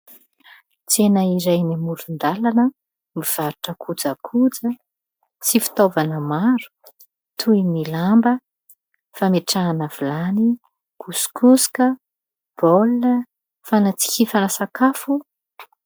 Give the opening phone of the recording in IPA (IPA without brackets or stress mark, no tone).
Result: t͡s